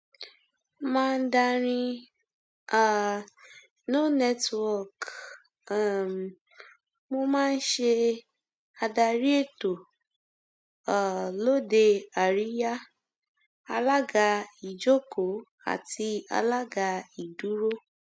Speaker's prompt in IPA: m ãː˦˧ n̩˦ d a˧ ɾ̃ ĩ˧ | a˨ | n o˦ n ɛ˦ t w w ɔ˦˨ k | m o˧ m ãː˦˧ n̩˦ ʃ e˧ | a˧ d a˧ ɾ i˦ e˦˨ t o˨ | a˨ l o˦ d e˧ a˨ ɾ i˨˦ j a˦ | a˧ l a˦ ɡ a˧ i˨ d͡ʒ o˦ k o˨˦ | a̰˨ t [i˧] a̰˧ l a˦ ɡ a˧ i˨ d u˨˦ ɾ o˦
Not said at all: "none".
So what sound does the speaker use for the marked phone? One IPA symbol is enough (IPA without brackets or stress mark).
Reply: i˧